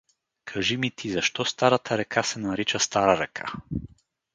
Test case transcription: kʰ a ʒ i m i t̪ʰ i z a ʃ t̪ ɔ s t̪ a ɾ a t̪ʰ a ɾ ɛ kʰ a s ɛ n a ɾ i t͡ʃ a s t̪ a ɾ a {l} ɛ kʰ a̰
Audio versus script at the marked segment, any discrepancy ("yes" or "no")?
yes